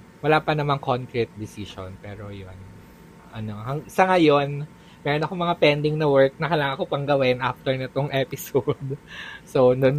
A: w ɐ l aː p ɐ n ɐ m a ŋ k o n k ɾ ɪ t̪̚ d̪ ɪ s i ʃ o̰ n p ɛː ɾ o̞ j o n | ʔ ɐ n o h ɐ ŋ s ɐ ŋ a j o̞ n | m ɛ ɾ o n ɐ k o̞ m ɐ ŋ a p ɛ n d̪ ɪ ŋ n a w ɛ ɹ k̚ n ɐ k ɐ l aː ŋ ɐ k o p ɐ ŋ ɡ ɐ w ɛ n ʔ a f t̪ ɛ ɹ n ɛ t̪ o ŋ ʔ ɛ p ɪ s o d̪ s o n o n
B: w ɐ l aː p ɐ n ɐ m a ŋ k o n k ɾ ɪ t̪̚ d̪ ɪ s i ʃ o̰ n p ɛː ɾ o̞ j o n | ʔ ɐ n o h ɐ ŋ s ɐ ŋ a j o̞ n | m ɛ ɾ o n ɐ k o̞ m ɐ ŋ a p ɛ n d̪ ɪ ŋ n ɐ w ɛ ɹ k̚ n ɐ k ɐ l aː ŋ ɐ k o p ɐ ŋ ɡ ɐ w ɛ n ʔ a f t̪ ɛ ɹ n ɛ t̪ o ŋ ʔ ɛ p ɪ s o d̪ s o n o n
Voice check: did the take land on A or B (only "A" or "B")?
B